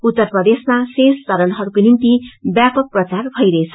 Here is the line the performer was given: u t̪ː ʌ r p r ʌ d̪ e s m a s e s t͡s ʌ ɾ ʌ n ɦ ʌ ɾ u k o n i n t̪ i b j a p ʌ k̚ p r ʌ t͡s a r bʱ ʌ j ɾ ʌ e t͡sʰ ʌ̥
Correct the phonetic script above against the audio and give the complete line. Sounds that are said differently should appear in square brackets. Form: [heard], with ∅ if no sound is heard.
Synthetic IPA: u t̪ː ʌ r p r ʌ d̪ e s m a s e s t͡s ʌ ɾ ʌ n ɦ ʌ ɾ u k o n i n t̪ i b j a p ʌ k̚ p r ʌ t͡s a r bʱ ʌ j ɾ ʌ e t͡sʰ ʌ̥